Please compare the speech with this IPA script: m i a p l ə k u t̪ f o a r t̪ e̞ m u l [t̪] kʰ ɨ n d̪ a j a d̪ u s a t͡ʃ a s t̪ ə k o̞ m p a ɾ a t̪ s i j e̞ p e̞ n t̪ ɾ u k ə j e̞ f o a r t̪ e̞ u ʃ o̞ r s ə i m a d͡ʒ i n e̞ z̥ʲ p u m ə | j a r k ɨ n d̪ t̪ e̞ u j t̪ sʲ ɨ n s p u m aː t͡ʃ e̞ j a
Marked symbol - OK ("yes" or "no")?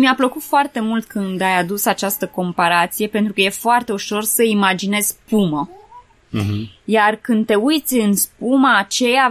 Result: yes